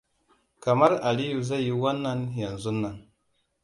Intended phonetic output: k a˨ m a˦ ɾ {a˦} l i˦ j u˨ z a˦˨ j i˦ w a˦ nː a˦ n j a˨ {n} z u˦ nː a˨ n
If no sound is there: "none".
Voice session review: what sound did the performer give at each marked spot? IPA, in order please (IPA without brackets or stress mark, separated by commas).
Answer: a˨, n